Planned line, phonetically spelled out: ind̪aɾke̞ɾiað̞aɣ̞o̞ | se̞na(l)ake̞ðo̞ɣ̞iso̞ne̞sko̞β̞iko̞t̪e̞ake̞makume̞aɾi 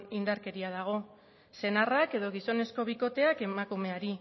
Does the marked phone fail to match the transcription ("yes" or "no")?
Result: yes